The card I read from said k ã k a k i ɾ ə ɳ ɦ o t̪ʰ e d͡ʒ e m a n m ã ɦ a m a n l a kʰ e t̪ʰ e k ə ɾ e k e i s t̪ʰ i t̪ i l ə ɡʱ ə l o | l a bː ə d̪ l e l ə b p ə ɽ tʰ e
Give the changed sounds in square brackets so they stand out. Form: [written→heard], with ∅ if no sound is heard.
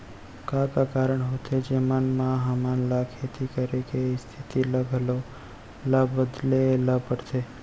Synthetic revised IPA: k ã k a k [i→a] ɾ ə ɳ ɦ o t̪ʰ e d͡ʒ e m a n m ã ɦ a m a n l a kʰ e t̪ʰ [e→i] k ə ɾ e k e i s t̪ʰ i t̪ i l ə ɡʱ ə l o | l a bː ə d̪ l e l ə b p ə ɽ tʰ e